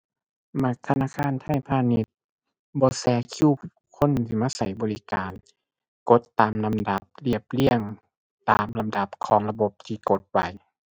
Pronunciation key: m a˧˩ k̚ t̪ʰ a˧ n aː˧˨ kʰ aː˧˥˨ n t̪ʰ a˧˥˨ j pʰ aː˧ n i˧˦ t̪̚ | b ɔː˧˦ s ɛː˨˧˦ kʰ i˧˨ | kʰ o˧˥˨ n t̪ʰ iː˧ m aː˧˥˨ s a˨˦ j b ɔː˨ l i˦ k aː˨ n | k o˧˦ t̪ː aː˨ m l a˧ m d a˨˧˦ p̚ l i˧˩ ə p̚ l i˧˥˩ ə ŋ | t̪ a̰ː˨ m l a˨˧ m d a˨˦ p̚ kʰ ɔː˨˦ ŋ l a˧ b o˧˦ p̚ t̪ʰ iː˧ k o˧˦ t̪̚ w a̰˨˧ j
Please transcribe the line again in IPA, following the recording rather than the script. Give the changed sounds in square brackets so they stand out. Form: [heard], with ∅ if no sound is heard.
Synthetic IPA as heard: m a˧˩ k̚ t̪ʰ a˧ n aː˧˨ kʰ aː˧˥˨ n t̪ʰ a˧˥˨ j pʰ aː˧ n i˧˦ t̪̚ | b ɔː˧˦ s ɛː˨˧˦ kʰ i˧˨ | kʰ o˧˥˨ n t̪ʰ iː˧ m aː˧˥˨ s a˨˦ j b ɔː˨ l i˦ k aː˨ n | k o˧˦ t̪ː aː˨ m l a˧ m d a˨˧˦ p̚ l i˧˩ ə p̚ l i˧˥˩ ə ŋ | t̪ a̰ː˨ m l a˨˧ m d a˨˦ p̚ kʰ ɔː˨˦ ŋ l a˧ b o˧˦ p̚ t̪ʰ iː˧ k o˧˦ t̪̚ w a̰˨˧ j